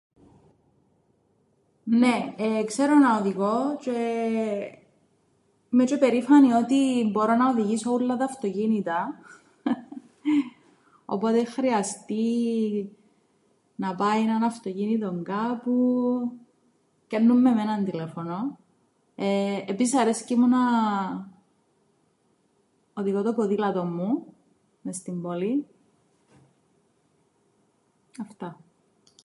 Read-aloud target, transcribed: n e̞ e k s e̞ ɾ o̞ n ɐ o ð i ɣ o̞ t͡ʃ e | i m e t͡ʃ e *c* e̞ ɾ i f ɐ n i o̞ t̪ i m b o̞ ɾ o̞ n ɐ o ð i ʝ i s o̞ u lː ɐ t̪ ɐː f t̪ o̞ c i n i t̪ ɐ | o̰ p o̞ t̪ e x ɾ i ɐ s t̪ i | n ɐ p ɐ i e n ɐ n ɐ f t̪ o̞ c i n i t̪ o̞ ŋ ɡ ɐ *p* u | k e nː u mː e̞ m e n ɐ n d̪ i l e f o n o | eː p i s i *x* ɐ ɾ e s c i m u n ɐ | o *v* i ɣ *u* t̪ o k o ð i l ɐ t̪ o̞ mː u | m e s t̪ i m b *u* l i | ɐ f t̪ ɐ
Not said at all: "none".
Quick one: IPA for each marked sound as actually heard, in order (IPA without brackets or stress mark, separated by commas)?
p, p, s, ð, o, o